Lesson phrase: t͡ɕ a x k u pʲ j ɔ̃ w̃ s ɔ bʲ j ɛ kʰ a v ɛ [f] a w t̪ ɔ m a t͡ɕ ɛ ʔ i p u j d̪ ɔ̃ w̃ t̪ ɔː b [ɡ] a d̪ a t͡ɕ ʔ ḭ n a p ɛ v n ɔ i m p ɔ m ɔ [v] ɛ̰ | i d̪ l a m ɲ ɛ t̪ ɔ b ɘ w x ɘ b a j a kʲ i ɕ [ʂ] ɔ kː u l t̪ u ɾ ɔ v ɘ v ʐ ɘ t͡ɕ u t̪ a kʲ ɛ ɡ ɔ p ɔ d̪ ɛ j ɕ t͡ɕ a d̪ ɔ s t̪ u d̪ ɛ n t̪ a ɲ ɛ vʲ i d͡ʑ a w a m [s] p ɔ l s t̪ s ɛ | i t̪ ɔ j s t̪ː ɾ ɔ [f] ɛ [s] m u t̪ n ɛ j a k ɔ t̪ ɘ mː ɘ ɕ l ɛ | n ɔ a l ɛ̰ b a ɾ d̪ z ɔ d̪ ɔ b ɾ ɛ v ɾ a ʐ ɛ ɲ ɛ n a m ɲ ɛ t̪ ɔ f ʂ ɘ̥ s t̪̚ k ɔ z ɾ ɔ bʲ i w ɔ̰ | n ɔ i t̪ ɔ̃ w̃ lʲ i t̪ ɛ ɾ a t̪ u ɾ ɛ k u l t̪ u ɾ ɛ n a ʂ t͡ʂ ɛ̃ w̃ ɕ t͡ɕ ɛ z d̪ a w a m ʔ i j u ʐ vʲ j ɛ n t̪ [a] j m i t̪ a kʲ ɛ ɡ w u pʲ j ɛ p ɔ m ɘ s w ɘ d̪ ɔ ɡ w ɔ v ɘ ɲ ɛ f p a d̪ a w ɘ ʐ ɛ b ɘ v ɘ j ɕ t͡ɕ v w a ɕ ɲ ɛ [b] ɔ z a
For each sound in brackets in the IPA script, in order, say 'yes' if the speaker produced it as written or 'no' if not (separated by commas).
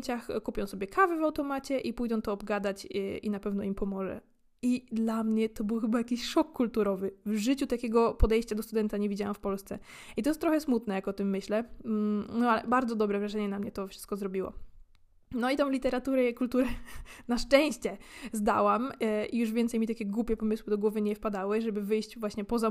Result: no, yes, no, yes, no, no, yes, no, no